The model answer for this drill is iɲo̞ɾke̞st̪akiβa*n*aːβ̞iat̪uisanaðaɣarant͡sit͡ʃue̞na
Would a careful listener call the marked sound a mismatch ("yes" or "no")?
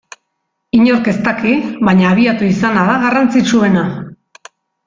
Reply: yes